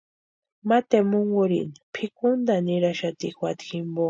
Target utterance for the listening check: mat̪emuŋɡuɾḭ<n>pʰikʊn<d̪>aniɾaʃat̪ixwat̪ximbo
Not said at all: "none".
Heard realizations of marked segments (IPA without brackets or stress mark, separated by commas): n, d̪